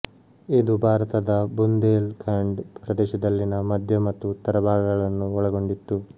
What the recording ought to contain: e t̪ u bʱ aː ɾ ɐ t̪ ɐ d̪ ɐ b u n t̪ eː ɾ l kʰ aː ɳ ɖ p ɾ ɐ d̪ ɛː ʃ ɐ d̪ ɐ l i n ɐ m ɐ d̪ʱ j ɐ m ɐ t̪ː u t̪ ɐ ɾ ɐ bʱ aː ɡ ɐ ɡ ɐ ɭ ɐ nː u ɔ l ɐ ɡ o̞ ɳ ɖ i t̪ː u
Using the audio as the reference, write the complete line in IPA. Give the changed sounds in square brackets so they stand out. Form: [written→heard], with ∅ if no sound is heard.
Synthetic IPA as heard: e [t̪→d̪] u bʱ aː ɾ ɐ t̪ ɐ d̪ ɐ b u n [t̪→d̪] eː [ɾ→∅] l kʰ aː ɳ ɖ p ɾ ɐ d̪ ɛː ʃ ɐ d̪ ɐ [l→lː] i n ɐ m ɐ d̪ʱ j ɐ m ɐ t̪ː u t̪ ɐ ɾ ɐ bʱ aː ɡ ɐ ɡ ɐ ɭ ɐ nː u ɔ [l→ɭ] ɐ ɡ o̞ ɳ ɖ i t̪ː u